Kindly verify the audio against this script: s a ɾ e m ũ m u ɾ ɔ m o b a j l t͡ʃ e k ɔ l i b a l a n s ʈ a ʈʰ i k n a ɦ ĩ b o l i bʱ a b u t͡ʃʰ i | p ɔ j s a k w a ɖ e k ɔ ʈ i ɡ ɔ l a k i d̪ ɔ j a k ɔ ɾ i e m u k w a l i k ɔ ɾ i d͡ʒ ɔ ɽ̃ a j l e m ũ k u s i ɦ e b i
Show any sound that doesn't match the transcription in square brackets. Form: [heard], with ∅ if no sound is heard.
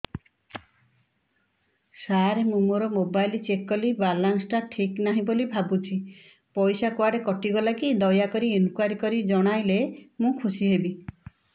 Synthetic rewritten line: s a ɾ e m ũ m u ɾ ɔ m o b a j l t͡ʃ e k ɔ l i b a l a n s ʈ a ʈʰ i k n a ɦ ĩ b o l i bʱ a b u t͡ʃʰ i | p ɔ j s a k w a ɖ e k ɔ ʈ i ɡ ɔ l a k i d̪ ɔ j a k ɔ ɾ i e [n] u k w a [ɾ] i k ɔ ɾ i d͡ʒ ɔ ɽ̃ a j l e m ũ [kʰ] u s i ɦ e b i